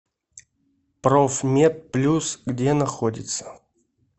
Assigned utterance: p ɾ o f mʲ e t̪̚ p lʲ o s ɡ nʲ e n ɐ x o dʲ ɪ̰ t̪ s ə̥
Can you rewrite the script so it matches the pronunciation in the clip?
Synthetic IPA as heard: p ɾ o f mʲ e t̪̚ p lʲ u s ɡ dʲ e n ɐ x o dʲ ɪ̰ t̪ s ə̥